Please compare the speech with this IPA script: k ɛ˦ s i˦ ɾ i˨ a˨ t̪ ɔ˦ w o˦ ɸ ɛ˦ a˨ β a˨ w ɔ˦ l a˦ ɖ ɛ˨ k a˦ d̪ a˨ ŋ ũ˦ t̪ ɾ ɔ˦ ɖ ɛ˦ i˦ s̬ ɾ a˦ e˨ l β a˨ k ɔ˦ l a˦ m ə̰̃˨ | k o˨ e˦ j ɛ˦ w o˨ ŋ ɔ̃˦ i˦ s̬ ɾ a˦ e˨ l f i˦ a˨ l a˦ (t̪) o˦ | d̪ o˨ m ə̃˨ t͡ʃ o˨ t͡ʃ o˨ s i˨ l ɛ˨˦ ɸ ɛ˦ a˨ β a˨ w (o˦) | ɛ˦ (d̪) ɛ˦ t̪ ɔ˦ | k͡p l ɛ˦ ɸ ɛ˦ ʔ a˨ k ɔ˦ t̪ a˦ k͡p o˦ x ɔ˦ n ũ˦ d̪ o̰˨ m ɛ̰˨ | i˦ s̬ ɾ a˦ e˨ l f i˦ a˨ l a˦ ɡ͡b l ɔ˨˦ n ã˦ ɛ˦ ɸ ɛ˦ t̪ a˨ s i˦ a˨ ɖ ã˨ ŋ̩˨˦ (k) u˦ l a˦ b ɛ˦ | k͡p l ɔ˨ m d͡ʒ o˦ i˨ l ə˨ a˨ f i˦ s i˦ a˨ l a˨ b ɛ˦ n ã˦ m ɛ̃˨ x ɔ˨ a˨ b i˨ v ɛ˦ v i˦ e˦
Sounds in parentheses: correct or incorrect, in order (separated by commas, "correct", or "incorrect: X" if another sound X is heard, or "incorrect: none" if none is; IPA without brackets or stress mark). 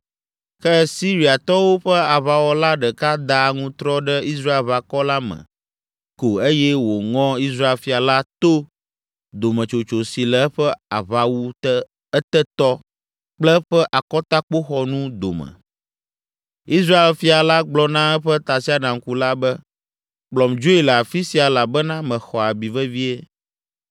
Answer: correct, incorrect: u˦, incorrect: t̪, correct